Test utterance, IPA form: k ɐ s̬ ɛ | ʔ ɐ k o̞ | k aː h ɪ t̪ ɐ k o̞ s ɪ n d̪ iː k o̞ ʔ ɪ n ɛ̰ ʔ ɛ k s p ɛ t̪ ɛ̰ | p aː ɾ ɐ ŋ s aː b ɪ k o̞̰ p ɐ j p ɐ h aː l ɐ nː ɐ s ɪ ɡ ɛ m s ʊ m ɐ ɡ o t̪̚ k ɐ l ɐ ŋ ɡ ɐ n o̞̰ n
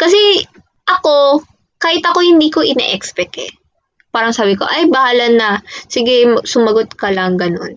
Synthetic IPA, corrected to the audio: k ɐ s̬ ɛ | ʔ ɐ k o̞ | k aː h ɪ t̪ ɐ k o̞ h ɪ n d̪ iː k o̞ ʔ ɪ n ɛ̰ ʔ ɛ k s p ɛ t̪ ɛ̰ | p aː ɾ ɐ ŋ s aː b ɪ k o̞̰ ʔ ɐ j b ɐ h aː l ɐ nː ɐ s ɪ ɡ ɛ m s ʊ m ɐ ɡ o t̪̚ k ɐ l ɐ ŋ ɡ ɐ n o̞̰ n